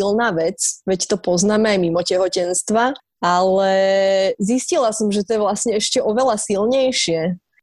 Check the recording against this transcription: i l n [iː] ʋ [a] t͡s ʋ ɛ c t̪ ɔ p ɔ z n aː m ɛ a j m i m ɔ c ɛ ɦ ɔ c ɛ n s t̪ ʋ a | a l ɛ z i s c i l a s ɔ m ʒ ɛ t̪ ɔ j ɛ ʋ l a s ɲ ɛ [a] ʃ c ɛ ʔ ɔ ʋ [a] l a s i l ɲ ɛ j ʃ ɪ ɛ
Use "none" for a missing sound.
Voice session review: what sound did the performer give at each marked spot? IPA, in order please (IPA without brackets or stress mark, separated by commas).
aː, ɛ, ɛ, ɛ